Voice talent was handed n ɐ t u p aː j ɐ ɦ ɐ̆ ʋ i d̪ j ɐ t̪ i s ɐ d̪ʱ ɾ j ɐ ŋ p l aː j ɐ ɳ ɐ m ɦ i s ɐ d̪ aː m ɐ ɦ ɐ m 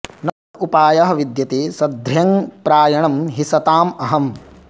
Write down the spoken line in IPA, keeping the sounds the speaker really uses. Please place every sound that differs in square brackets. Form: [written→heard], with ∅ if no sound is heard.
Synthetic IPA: n ɐ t u p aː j ɐ ɦ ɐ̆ ʋ i d̪ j ɐ t̪ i s ɐ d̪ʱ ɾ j ɐ ŋ p [l→ɾ] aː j ɐ ɳ ɐ m ɦ i s ɐ [d̪→t̪] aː m ɐ ɦ ɐ m